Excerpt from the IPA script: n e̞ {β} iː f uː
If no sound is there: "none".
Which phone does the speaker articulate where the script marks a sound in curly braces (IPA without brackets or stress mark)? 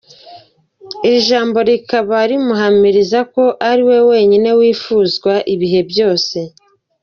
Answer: w